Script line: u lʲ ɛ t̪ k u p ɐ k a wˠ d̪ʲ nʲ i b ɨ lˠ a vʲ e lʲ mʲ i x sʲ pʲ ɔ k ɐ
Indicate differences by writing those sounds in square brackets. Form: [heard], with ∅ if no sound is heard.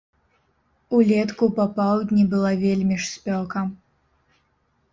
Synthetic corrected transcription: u lʲ ɛ t̪ k u p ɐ [p] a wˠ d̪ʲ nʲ i b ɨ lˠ a vʲ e lʲ mʲ i [ʂ] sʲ pʲ ɔ k ɐ